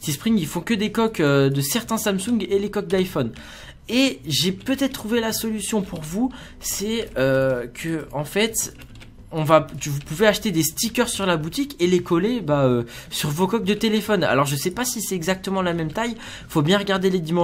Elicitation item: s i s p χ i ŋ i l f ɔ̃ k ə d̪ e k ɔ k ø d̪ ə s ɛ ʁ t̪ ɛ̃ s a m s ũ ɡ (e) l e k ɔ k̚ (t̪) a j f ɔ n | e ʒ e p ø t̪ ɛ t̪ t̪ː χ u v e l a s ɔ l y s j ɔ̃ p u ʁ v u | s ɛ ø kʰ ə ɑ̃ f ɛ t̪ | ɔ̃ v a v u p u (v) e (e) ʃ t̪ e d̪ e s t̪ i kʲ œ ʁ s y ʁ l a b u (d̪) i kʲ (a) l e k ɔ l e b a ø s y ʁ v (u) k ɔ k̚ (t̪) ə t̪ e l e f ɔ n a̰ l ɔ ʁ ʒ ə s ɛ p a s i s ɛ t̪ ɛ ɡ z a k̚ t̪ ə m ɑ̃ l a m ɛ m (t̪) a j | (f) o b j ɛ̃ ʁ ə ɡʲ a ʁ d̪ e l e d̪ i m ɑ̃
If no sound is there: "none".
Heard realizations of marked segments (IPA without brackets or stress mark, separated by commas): e, d̪, v, a, t̪, e, o, d̪, t̪, f